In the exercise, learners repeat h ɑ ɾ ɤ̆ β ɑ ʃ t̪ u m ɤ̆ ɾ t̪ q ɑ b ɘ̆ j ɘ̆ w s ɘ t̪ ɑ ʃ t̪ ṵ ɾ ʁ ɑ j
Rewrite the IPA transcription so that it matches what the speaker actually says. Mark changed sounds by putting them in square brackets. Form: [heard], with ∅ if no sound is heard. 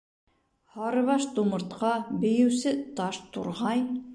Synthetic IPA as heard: h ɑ ɾ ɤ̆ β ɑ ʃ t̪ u m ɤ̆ ɾ t̪ q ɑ b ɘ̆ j ɘ̆ w s ɘ t̪ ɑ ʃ t̪ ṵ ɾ ʁ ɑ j